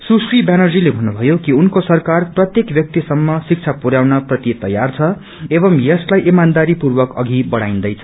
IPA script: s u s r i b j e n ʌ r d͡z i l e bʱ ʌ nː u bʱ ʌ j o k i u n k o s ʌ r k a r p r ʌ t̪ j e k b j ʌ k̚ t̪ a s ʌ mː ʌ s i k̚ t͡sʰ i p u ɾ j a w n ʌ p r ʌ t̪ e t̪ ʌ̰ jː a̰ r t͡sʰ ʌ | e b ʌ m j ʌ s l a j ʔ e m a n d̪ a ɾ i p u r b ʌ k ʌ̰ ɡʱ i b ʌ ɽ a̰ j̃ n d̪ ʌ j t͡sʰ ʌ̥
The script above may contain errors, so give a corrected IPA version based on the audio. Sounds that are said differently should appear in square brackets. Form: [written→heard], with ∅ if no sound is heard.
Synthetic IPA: s u s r i b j [e→a] n ʌ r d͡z i l e bʱ ʌ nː u bʱ ʌ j o k i u n k o s ʌ r k a r p r ʌ t̪ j e k b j ʌ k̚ t̪ [a→i] s ʌ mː ʌ s i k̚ t͡sʰ [i→a] p u ɾ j a w n ʌ p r ʌ t̪ [e→i] t̪ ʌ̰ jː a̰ r t͡sʰ ʌ | e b ʌ m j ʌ s l a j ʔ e m a n d̪ a ɾ i p u r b ʌ k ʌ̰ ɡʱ i b ʌ ɽ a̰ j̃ n d̪ ʌ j t͡sʰ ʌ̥